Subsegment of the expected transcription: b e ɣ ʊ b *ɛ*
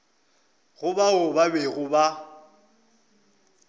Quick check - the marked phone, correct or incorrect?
incorrect